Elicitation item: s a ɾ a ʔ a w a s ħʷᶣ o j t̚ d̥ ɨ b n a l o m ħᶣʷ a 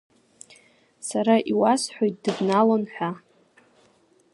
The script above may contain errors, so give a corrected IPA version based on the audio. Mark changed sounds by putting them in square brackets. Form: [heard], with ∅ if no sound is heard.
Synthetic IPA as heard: s a ɾ a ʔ [i] w a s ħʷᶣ o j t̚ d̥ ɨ b n a l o [n] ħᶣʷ a